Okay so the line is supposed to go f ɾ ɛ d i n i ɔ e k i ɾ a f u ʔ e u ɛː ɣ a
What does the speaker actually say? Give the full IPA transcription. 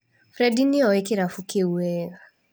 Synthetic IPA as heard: f ɾ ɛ d i n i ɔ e k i ɾ a f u k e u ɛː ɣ a